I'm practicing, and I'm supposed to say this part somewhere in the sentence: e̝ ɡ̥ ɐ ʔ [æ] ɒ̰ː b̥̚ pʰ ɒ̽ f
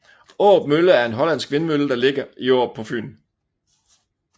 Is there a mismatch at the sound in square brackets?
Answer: yes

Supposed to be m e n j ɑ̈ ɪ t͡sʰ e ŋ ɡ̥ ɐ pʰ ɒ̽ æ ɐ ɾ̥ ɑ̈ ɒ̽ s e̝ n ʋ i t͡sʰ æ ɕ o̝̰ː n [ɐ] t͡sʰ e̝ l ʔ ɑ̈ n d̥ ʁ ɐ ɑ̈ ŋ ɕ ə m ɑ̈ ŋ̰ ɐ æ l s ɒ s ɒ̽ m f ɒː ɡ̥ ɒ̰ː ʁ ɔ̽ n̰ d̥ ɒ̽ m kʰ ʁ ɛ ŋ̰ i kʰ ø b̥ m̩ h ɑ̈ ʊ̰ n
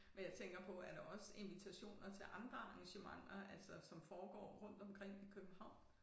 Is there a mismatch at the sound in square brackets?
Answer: no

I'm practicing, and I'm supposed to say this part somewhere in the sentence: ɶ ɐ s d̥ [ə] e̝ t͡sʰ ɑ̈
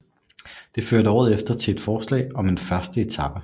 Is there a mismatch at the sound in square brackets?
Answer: no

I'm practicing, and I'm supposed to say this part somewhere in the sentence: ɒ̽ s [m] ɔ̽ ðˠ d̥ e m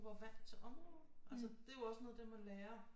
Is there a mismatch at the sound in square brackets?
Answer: yes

